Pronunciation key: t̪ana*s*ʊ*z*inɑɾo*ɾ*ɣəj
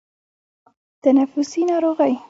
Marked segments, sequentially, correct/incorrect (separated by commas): incorrect, incorrect, incorrect